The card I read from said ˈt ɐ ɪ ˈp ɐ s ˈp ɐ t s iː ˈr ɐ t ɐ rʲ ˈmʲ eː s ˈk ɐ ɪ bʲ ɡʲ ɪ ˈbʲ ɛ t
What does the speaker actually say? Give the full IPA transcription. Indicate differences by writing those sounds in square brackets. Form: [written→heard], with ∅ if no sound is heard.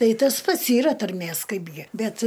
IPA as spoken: ˈt ɐ ɪ [ˈp→ˈt] ɐ s ˈp ɐ t s iː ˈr ɐ t ɐ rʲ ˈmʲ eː s ˈk ɐ ɪ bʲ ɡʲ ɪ ˈbʲ ɛ t